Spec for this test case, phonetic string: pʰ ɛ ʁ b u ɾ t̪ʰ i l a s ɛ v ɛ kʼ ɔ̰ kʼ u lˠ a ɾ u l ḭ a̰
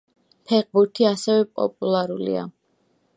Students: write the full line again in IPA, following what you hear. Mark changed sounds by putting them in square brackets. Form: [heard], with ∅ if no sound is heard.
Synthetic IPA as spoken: pʰ ɛ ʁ b u ɾ t̪ʰ i [∅] a s ɛ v ɛ [pʼ] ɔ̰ [pʼ] u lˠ a ɾ u l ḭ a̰